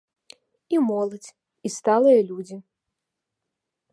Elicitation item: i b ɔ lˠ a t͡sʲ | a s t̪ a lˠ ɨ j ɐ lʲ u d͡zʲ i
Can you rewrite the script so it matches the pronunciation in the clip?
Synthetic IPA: i m ɔ lˠ ɐ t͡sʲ | i s t̪ a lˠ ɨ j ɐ lʲ u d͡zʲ i